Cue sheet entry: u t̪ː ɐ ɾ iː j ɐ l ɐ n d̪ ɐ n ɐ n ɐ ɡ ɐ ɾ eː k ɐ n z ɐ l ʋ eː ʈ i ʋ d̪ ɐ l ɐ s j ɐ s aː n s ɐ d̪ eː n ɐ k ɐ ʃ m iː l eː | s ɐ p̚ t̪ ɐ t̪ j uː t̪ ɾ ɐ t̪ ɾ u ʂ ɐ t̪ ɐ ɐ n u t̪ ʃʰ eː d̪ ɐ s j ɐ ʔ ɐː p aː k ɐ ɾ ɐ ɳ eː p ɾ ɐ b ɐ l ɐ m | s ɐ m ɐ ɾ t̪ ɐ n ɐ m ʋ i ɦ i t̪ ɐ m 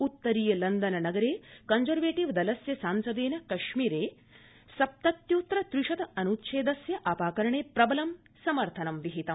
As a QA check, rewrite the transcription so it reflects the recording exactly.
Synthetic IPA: u t̪ː ɐ ɾ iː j ɐ l ɐ n d̪ ɐ n ɐ n ɐ ɡ ɐ ɾ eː k ɐ n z ɐ ɾ ʋ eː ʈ i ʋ d̪ ɐ l ɐ s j ɐ s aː n s ɐ d̪ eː n ɐ k ɐ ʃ m iː ɾ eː | s ɐ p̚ t̪ ɐ t̪ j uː t̪ ɾ ɐ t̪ ɾ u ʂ ɐ t̪ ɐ ɐ n u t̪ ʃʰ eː d̪ ɐ s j ɐ ʔ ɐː p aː k ɐ ɾ ɐ ɳ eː p ɾ ɐ b ɐ l ɐ m | s ɐ m ɐ ɾ t̪ʰ ɐ n ɐ m ʋ i ɦ i t̪ ɐ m